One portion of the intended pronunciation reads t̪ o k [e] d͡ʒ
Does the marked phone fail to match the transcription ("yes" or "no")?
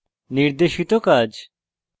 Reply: yes